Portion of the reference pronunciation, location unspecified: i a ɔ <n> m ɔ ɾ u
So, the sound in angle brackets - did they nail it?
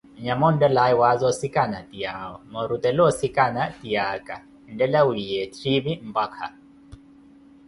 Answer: no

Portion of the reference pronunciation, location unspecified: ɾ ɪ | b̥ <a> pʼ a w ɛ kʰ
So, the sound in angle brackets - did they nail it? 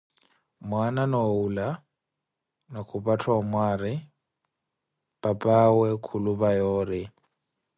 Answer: yes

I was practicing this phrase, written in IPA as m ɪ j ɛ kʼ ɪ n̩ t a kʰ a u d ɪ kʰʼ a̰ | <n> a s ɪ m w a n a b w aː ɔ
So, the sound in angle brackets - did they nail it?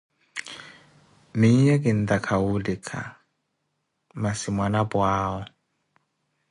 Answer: no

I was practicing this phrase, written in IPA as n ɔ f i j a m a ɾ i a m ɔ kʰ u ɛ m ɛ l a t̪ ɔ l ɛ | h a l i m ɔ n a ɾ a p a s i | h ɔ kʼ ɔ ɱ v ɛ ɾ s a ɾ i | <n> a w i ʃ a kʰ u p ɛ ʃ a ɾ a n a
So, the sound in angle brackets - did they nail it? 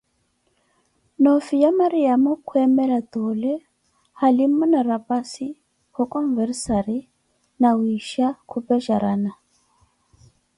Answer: yes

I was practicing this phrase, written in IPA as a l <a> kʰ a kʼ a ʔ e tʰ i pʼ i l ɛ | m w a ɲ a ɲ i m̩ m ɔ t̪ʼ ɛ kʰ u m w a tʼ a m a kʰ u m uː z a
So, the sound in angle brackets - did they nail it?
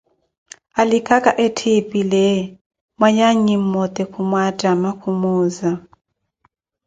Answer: no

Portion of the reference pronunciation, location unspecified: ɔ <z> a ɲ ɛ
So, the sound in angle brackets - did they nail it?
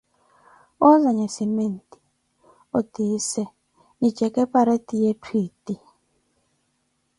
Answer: yes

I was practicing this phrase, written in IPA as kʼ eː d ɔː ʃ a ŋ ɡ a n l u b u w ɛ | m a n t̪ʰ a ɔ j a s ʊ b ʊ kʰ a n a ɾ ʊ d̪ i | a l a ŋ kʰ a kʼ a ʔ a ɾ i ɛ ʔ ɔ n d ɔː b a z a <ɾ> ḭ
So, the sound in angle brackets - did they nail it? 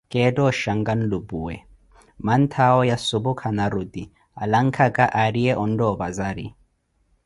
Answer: yes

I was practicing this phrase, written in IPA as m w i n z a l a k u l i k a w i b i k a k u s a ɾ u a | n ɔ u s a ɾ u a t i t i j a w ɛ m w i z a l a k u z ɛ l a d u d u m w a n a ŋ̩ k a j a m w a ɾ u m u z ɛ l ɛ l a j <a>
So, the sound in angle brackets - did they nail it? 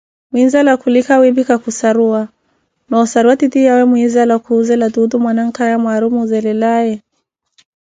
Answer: no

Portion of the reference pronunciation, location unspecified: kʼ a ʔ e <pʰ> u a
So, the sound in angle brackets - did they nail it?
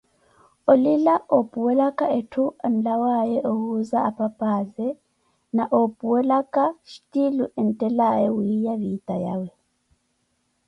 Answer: no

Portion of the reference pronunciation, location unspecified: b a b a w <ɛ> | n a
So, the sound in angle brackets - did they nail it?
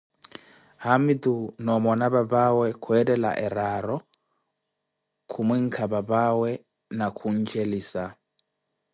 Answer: yes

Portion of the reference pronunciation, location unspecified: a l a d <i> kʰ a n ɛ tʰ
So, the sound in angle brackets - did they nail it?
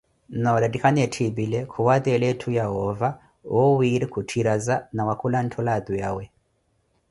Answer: yes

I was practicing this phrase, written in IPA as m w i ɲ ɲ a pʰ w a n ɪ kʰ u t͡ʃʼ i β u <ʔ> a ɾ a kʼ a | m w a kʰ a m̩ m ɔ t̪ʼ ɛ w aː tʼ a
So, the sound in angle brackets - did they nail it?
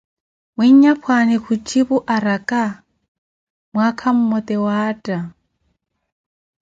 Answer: yes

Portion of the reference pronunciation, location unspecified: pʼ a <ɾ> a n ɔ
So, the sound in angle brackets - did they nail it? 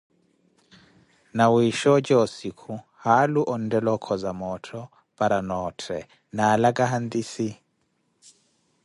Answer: yes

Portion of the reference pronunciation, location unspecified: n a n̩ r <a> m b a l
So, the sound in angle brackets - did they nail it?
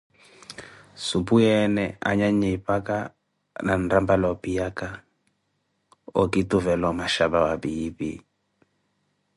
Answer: yes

